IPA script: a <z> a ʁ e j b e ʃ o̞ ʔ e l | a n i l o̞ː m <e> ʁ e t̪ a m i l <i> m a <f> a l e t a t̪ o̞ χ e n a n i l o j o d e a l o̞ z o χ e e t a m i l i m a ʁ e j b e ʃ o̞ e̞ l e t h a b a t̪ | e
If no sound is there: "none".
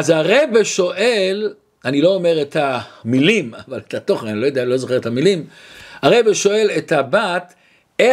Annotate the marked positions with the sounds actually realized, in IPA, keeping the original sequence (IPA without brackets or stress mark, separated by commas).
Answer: z, e, i, v